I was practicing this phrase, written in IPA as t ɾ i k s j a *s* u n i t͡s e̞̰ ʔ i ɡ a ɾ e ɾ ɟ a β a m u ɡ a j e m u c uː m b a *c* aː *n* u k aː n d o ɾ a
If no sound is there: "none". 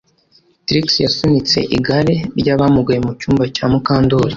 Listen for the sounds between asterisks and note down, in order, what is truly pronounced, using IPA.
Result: s, c, m

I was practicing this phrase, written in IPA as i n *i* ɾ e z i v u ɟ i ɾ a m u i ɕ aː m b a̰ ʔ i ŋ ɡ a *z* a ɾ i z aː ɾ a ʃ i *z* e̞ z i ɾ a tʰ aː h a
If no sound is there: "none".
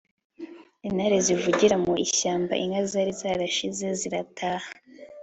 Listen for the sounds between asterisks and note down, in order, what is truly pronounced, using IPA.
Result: a, z, z

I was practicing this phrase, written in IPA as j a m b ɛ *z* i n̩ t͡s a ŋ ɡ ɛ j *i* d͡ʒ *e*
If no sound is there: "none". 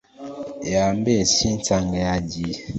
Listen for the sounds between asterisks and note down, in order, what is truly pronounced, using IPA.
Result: s, a, i

